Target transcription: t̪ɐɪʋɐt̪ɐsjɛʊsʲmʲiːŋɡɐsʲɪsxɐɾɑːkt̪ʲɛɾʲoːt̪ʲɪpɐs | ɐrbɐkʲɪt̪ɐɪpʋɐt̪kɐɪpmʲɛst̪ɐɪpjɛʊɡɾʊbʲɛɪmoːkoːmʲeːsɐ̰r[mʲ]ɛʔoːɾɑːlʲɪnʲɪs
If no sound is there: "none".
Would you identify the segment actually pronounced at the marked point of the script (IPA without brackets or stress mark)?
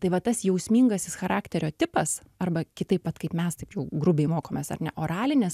nʲ